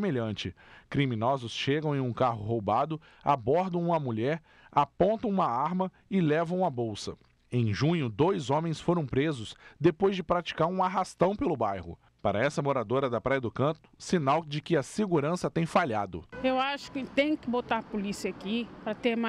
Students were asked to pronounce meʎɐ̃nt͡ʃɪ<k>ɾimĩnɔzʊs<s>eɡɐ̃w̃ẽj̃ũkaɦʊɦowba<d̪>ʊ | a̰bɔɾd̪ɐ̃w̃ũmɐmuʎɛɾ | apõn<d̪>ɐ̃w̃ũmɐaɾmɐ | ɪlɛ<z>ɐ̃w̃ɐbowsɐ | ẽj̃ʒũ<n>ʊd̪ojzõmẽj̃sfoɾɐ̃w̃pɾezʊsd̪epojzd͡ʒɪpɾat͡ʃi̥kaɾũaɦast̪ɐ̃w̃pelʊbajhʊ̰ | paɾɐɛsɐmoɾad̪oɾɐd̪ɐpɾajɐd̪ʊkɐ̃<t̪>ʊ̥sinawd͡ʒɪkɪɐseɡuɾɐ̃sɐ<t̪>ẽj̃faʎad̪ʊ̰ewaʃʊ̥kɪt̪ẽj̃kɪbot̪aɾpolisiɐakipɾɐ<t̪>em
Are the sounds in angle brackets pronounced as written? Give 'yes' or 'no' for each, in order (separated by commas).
yes, no, yes, no, no, no, yes, yes, yes